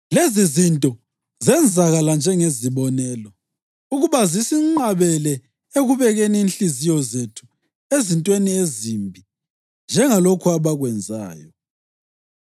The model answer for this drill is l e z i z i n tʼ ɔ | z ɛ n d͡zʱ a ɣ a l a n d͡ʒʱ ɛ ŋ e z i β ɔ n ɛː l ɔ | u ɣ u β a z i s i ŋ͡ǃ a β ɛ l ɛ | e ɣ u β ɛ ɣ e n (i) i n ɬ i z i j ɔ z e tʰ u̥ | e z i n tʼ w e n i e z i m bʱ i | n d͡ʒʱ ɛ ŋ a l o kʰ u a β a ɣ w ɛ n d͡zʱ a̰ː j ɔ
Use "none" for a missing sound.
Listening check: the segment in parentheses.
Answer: i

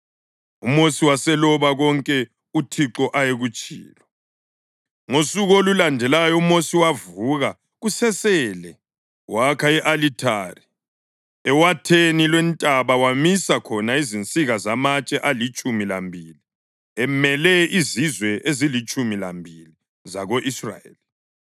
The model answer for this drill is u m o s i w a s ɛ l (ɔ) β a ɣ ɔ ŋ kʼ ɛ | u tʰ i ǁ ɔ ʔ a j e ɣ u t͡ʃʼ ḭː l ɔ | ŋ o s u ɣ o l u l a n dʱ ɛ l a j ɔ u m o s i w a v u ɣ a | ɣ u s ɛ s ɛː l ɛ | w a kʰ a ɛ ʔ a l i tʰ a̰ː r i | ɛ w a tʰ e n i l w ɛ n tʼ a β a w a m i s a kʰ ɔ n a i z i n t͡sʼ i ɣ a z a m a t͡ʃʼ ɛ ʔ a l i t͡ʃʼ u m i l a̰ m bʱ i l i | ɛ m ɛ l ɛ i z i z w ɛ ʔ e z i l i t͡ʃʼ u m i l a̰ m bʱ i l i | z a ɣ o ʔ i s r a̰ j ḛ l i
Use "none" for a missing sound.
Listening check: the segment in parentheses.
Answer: ɔ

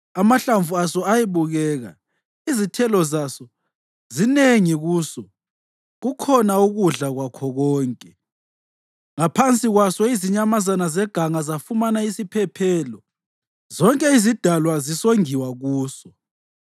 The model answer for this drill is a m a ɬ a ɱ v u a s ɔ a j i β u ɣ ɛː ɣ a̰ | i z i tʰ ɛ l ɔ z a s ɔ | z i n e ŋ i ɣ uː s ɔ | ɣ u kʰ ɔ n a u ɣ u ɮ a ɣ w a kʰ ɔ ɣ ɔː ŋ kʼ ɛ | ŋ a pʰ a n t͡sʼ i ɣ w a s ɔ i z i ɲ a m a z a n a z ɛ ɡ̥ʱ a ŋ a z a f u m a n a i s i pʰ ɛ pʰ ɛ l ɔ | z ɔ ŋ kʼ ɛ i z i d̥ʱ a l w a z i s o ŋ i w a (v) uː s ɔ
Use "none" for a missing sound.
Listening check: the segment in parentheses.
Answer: ɣ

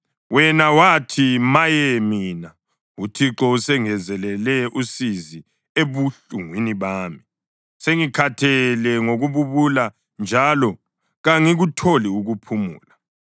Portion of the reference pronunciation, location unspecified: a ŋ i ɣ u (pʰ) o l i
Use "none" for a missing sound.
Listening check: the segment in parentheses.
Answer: tʰ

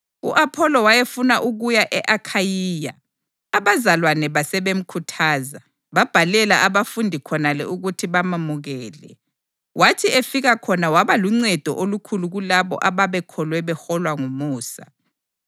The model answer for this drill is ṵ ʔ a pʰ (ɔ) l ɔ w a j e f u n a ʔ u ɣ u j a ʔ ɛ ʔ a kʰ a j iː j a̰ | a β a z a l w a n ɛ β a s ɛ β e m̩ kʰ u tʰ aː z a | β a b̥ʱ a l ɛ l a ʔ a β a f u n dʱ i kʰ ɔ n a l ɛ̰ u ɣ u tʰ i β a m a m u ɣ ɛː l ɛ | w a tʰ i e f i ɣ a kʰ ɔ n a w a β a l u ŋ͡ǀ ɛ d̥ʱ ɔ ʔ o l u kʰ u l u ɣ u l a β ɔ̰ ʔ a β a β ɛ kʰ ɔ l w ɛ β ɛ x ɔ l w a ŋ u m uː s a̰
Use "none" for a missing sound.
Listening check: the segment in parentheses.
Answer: ɔ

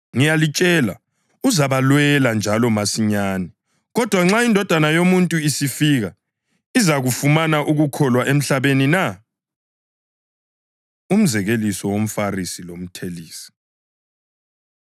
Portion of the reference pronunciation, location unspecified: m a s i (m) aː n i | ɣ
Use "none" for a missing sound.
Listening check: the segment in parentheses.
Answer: ɲ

